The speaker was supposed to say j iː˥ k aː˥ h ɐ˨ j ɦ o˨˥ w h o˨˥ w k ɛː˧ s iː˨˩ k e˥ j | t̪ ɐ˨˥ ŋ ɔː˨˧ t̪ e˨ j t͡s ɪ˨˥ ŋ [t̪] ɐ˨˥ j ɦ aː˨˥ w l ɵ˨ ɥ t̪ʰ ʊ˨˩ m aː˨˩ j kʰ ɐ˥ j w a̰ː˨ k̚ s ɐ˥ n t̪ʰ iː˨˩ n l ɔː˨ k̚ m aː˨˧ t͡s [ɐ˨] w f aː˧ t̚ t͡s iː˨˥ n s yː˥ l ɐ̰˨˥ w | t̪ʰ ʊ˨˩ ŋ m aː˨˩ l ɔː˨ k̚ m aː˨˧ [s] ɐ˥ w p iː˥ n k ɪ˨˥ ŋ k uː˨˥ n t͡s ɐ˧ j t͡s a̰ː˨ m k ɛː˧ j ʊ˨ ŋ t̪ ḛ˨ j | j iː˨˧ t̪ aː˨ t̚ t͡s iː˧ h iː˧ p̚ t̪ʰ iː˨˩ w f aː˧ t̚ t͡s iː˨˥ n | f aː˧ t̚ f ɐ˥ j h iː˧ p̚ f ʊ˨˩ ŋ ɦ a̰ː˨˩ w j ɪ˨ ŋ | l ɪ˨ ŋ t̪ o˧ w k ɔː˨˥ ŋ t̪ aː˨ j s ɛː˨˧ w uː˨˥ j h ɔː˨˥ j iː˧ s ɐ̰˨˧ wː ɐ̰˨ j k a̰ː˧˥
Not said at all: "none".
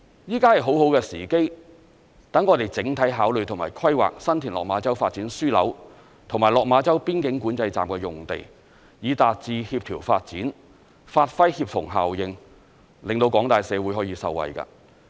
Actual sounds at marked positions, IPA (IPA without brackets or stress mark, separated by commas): t̪ʰ, ɐ˥, t͡s